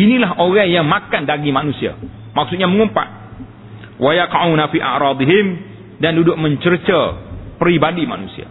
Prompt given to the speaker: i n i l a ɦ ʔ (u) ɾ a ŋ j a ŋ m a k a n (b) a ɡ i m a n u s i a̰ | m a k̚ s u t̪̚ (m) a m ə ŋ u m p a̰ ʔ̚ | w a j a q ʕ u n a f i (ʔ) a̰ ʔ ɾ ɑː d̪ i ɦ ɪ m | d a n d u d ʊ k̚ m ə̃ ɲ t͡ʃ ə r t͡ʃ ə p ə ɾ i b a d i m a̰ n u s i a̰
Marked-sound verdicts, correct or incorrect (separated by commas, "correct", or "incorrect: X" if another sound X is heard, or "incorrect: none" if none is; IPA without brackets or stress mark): incorrect: o, incorrect: d, incorrect: ɲ, correct